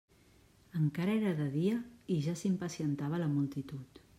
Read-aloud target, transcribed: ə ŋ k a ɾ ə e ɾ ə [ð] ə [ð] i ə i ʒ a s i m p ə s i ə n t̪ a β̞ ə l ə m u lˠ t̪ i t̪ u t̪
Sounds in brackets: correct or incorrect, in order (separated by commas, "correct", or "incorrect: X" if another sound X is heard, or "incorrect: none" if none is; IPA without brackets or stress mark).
correct, correct